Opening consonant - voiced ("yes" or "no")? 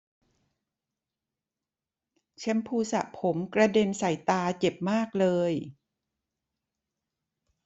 no